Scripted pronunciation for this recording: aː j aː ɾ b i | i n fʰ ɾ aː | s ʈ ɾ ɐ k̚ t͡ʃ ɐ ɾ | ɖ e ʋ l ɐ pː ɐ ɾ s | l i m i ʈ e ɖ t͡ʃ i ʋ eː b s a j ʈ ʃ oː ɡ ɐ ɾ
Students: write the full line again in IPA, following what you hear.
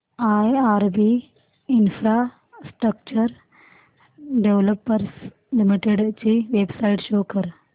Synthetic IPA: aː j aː ɾ b i | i n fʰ ɾ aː | s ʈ ɾ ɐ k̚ t͡ʃ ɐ ɾ | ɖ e ʋ l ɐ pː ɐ ɾ s | l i m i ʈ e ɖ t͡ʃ i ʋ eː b s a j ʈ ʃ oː k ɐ ɾ